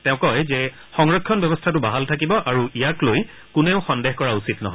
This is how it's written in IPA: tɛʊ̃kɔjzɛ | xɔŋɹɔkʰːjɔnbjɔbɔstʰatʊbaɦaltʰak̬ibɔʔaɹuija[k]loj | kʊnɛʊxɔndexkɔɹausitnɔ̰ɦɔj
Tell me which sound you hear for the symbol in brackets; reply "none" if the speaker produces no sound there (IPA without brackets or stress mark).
k